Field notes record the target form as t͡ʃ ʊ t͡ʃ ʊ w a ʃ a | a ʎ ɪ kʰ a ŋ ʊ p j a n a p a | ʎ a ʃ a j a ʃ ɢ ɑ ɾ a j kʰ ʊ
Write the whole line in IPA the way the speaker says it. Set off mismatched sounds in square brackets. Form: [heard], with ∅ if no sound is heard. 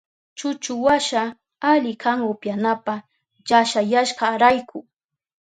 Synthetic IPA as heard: t͡ʃ ʊ t͡ʃ ʊ w a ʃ a | a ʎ ɪ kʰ a ŋ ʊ p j a n a p a | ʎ a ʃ a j a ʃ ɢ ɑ ɾ a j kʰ ʊ